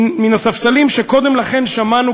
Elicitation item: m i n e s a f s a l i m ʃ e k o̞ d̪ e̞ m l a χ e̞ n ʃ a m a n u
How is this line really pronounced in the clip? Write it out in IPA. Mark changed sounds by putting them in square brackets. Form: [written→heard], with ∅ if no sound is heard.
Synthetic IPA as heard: m i n [e→a] s a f s a l i m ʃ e k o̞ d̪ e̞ m l a χ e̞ n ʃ a m a n u

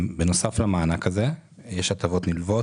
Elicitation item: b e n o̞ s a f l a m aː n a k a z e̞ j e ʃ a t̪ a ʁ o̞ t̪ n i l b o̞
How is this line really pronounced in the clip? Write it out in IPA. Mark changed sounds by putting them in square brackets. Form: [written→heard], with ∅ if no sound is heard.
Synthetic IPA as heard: b e n o̞ s a f l a m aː n a k a z e̞ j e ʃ a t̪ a [ʁ→v] o̞ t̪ n i l [b→v] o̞

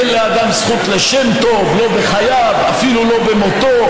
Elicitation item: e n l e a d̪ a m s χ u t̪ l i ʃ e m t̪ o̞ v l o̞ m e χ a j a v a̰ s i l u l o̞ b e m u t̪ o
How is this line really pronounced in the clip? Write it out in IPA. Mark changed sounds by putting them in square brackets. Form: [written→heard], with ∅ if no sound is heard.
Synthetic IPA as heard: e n l e a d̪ a m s χ u t̪ l [i→e] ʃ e m t̪ o̞ v l o̞ [m→b] e χ a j a v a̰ [s→f] i l u l o̞ b e m [u→o] t̪ o

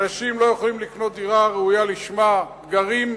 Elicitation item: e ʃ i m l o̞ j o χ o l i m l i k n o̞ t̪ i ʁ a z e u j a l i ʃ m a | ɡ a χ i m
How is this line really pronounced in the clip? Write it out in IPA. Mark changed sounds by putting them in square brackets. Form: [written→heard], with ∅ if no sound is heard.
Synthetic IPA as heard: [e→a] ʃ i m l o̞ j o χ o l i m l i k n o̞ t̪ i ʁ a [z→ʁ] e u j a l i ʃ m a | ɡ a [χ→ʁ] i m

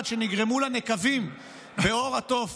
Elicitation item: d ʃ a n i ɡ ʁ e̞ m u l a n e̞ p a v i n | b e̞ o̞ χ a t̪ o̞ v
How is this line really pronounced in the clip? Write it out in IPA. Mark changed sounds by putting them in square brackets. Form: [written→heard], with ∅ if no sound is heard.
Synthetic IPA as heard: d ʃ [a→e] n i ɡ ʁ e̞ m u l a n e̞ [p→k] a v i [n→m] | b e̞ o̞ [χ→ʁ] a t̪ o̞ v

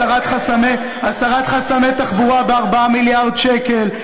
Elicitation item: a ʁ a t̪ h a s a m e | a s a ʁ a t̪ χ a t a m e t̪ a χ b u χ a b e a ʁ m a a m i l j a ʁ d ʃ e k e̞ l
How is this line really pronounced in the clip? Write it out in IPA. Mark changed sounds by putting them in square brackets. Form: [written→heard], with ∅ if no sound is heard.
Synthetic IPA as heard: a ʁ a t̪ [h→χ] a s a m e | a s a ʁ a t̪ χ a [t→s] a m e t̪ a χ b u [χ→ʁ] a b e a ʁ [m→b] a a m i l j a ʁ d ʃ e k e̞ l

